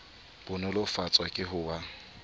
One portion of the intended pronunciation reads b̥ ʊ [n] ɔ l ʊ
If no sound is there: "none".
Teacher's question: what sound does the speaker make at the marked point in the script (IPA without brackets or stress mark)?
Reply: n